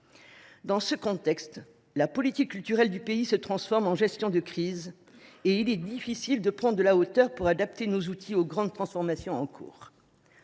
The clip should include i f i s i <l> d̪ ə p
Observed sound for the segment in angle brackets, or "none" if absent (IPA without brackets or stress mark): l